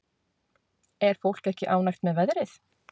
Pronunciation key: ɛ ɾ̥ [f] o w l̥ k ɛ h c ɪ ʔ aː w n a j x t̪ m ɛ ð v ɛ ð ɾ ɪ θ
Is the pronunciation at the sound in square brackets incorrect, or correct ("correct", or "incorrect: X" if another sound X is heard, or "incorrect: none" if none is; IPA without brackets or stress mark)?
correct